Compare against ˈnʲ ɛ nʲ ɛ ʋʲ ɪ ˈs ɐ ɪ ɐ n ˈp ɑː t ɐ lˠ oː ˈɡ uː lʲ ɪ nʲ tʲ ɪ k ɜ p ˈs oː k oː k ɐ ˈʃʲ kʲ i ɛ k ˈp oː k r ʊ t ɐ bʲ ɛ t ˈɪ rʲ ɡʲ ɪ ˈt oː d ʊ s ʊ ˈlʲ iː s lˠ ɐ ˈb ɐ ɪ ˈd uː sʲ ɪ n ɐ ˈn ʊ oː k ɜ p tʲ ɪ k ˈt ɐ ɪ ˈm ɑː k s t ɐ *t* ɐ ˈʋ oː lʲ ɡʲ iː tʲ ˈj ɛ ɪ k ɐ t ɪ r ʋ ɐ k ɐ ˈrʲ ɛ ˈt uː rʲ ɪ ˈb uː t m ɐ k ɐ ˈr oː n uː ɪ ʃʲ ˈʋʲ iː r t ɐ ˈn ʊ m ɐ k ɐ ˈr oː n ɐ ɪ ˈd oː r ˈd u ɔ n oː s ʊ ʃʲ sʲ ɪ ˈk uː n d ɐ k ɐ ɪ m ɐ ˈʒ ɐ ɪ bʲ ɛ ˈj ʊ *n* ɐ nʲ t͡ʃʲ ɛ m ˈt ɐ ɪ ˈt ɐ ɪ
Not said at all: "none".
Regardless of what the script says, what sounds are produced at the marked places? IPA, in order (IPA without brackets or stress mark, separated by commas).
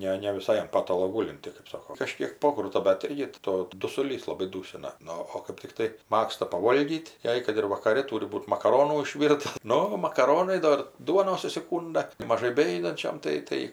p, d